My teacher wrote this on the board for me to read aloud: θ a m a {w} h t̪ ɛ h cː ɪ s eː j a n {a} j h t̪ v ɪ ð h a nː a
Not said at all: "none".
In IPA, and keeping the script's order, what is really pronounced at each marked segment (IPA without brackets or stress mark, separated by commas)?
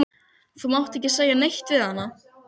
w, e